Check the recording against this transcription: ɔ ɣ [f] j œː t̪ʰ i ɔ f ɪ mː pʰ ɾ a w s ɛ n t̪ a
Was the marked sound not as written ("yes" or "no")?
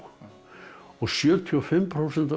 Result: yes